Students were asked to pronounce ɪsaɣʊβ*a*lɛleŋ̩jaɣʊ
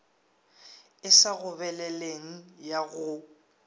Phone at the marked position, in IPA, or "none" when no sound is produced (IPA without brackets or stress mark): ɛ